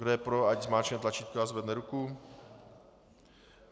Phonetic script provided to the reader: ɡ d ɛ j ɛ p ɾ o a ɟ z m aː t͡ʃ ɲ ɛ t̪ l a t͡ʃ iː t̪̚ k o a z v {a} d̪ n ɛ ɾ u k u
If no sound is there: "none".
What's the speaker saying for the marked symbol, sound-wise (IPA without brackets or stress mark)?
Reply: ɛ